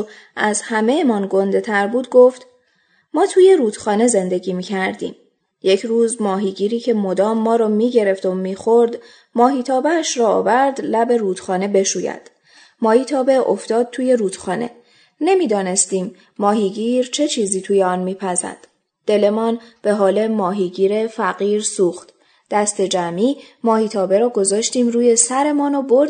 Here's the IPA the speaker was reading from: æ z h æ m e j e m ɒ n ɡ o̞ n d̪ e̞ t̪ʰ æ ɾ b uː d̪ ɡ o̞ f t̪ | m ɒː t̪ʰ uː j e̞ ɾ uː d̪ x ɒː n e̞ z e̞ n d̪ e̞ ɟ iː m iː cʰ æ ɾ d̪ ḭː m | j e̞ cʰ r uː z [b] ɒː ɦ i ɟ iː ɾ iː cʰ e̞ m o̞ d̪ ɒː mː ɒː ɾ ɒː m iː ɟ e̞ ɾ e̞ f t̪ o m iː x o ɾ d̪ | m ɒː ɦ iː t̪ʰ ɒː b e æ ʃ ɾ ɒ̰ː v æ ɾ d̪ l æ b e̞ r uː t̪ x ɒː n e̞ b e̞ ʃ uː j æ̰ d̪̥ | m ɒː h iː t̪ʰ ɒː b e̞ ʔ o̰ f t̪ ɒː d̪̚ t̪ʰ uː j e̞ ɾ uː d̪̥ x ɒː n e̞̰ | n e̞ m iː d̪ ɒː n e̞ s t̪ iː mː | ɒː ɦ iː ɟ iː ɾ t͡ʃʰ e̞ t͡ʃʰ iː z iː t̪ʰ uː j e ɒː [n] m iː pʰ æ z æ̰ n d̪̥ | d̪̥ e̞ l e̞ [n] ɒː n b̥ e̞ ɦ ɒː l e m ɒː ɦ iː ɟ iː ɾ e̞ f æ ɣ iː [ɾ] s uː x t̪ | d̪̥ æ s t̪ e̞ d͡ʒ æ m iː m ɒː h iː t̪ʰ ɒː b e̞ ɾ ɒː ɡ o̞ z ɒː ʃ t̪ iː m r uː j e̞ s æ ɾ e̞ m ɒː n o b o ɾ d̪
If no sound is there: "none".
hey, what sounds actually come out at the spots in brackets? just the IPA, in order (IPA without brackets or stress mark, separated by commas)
m, n, m, ɾ